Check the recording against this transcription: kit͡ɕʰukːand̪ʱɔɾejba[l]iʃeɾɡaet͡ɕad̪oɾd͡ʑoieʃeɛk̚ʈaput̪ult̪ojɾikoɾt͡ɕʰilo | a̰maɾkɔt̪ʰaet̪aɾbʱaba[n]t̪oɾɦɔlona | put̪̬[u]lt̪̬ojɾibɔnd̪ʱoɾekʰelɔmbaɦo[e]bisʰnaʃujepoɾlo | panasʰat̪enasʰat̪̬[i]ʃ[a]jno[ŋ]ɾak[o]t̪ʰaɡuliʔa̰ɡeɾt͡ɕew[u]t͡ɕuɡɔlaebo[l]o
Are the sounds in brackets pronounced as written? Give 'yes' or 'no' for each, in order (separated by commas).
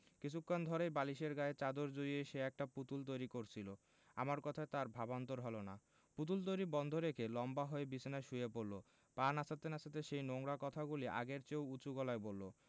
yes, yes, yes, yes, no, no, yes, no, yes, no